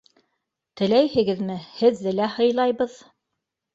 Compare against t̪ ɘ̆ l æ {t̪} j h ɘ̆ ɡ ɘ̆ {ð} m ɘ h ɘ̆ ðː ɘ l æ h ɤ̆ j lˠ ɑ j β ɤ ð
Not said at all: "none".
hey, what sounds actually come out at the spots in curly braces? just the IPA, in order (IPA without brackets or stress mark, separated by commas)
none, ð